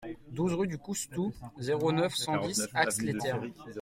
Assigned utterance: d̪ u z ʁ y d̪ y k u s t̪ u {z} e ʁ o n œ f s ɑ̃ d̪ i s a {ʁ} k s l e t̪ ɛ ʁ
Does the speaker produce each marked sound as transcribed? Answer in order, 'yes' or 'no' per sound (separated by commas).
yes, no